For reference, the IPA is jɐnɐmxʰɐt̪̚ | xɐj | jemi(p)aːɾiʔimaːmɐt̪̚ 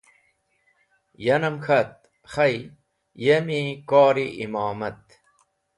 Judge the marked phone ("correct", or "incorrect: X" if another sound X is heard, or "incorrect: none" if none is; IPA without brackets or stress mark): incorrect: k